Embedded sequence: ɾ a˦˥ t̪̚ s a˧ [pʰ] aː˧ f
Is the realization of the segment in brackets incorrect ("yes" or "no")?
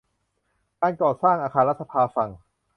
no